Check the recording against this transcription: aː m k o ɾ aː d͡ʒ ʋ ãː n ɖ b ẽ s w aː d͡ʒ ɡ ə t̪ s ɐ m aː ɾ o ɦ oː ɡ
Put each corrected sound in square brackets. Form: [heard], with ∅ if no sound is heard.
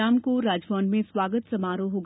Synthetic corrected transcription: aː m k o ɾ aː d͡ʒ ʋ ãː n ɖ [m] ẽ s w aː [∅] ɡ ə t̪ s ɐ m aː ɾ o ɦ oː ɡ